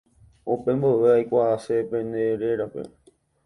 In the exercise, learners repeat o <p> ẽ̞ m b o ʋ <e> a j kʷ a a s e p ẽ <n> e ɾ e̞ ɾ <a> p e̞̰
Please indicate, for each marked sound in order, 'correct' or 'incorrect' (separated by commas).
correct, correct, correct, correct